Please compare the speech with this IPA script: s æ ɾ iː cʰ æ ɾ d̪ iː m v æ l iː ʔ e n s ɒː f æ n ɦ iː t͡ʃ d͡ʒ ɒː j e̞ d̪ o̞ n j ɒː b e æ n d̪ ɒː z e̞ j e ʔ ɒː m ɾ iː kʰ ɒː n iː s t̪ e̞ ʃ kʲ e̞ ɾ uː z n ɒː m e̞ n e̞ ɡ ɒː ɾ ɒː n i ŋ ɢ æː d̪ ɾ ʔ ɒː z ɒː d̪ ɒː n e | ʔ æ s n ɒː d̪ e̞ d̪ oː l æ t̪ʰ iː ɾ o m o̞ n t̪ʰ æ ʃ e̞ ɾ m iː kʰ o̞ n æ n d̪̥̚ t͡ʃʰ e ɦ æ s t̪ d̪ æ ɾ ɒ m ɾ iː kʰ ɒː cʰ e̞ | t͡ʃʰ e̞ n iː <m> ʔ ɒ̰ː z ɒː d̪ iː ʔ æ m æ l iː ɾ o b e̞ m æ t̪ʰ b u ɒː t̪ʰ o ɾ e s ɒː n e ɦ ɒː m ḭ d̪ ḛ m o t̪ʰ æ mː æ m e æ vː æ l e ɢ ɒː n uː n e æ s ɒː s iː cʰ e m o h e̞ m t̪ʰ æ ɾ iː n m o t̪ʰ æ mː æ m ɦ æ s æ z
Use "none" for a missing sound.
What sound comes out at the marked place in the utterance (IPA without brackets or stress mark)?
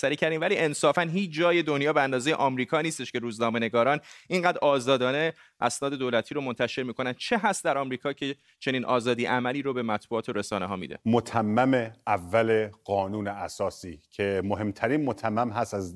n